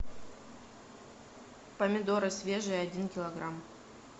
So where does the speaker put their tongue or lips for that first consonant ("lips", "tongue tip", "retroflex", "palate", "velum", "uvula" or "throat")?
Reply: lips